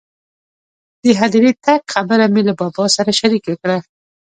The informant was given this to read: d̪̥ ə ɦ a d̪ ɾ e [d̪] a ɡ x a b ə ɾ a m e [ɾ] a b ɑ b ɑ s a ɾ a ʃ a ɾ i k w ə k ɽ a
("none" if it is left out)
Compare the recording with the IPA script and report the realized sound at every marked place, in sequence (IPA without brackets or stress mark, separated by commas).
t̪, l